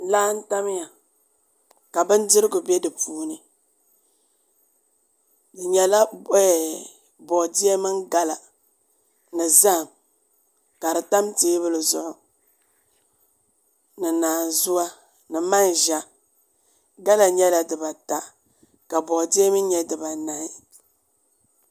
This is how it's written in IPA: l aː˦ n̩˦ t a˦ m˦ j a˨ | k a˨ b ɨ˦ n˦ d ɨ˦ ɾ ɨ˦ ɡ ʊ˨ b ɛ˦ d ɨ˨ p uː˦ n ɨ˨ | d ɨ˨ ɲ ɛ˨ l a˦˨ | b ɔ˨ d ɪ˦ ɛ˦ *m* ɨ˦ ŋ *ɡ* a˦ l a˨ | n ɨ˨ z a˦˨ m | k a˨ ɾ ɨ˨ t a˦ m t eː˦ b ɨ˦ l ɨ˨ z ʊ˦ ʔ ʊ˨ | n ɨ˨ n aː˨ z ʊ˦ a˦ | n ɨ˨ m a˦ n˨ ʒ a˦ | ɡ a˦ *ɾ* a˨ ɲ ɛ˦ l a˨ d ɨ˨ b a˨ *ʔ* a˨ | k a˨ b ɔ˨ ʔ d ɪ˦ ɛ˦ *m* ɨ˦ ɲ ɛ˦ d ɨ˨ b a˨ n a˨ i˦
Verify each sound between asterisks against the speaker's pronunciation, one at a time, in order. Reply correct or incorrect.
correct, correct, incorrect, incorrect, correct

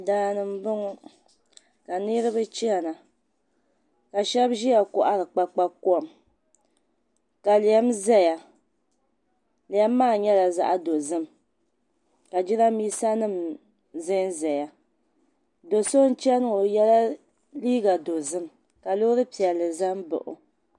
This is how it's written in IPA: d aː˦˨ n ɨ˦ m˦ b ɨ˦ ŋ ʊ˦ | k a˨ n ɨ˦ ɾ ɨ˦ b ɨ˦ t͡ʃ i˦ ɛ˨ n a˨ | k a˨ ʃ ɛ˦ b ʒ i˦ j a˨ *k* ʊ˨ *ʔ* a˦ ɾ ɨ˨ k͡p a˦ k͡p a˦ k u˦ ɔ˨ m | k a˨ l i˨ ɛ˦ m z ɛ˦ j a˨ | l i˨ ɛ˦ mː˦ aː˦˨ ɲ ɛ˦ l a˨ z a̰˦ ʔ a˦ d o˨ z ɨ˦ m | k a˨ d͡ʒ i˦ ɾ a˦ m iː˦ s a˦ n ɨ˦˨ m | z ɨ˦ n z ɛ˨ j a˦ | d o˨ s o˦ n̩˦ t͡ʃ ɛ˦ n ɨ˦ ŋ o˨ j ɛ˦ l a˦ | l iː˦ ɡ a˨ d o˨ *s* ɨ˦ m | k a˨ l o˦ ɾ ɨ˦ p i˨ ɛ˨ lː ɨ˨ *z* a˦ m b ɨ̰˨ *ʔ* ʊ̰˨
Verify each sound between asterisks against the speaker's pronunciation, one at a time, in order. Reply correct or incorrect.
correct, correct, incorrect, correct, correct

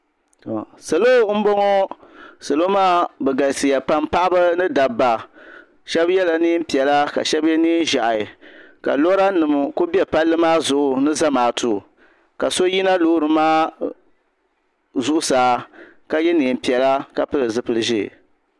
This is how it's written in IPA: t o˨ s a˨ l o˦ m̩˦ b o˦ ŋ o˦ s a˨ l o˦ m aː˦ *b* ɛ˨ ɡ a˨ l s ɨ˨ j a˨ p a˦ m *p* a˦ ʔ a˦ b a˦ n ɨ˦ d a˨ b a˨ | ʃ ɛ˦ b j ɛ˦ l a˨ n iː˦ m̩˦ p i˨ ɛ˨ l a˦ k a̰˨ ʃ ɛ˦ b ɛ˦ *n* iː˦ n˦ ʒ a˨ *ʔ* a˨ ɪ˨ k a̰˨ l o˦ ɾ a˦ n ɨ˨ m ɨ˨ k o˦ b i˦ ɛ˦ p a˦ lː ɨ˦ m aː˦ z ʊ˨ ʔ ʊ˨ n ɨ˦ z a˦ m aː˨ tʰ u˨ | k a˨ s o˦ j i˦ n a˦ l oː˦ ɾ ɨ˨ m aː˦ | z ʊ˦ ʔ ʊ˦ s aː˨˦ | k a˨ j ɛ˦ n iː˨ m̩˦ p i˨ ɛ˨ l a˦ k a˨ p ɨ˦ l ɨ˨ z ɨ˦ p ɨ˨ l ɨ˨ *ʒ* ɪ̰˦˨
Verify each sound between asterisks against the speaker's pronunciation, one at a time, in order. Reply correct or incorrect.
correct, correct, correct, correct, correct

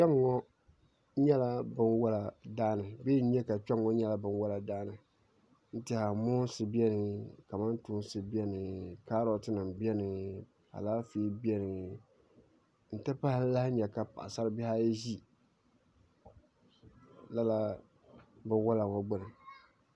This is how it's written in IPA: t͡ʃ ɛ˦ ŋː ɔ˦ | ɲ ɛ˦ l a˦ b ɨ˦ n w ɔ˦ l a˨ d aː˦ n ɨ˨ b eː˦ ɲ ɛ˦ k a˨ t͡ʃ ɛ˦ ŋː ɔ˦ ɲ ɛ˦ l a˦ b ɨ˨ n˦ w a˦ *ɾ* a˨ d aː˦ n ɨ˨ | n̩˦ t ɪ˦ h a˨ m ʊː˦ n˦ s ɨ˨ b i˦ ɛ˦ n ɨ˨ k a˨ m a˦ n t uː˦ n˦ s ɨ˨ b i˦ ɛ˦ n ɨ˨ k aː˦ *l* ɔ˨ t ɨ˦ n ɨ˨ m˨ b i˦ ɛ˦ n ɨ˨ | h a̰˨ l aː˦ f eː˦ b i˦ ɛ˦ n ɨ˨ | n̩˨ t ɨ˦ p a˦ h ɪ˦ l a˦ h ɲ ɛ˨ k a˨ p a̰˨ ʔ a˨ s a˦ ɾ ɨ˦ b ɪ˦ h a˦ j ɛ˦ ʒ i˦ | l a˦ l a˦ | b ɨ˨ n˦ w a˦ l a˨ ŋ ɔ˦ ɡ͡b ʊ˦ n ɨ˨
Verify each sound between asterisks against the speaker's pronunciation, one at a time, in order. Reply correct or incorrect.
incorrect, incorrect

